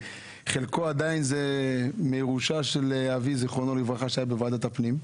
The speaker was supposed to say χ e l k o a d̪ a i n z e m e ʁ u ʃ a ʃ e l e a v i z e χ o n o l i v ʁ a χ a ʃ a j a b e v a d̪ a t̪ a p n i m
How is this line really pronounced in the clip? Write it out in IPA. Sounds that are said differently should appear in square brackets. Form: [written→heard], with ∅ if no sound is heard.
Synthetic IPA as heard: χ e l k o a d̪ a i n z e m e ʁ u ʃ a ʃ e l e a v i z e χ o n o l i v ʁ a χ a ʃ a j a b e v a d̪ a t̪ a p n i m